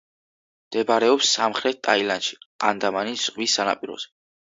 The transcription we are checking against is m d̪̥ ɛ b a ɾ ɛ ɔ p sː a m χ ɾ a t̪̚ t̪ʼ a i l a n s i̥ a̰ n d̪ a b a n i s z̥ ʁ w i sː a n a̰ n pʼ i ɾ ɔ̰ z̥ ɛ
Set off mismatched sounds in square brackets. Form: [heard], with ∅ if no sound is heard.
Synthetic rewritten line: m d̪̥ ɛ b a ɾ ɛ ɔ p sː a m χ ɾ [ɛ] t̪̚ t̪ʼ a i l a n [ʃ] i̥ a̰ n d̪ a [m] a n i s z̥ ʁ w i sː a n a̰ [∅] pʼ i ɾ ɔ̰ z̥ ɛ